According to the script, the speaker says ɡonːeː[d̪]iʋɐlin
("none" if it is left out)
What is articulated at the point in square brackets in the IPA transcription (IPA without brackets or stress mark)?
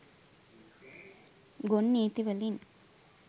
t̪